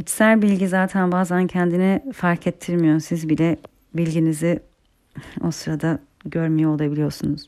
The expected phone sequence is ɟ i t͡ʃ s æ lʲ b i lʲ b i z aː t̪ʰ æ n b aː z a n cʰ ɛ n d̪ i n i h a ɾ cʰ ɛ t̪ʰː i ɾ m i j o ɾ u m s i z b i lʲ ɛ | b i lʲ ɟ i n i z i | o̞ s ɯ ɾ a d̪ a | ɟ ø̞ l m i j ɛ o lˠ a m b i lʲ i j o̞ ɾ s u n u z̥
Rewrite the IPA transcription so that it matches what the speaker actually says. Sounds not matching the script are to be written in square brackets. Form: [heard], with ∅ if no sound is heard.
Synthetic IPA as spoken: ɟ i t͡ʃ s æ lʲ b i lʲ [ɟ] i z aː t̪ʰ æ n b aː z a n cʰ ɛ n d̪ i n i [f] a ɾ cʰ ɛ t̪ʰː i ɾ m i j o ɾ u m s i z b i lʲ ɛ | b i lʲ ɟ i n i z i | o̞ s ɯ ɾ a d̪ a | ɟ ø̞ [ɾ] m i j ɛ o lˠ a [∅] b i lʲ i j o̞ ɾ s u n u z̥